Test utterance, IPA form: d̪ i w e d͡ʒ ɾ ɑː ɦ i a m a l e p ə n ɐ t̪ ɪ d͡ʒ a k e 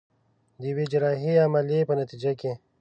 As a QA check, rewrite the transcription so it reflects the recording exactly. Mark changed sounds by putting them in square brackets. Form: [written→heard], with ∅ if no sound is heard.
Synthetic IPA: d̪ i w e d͡ʒ ɾ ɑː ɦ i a m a l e p ə n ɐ t̪ [ɪ→i] d͡ʒ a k e